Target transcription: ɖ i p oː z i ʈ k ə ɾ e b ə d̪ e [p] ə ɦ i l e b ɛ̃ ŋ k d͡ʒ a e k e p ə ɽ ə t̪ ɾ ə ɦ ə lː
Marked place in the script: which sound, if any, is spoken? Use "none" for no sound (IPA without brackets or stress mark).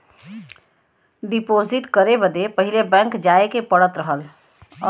p